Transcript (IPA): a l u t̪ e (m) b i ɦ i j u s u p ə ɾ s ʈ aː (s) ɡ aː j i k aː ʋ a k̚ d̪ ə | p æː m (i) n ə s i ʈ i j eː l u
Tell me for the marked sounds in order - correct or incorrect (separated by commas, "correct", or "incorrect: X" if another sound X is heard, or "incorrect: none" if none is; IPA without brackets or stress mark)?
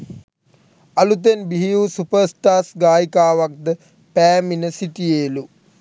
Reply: incorrect: n, correct, correct